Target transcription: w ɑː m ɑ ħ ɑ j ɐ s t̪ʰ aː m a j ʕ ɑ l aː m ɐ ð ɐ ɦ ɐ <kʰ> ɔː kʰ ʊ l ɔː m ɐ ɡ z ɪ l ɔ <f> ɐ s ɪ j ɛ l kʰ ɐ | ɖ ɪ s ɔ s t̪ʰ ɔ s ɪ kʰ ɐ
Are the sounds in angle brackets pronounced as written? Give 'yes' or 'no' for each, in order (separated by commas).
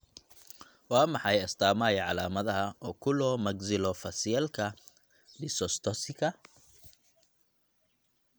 no, yes